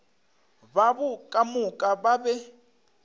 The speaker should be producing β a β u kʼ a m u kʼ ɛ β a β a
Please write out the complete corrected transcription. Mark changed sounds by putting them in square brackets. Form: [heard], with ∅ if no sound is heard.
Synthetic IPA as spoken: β a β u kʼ a m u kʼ [a] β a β [ɛ]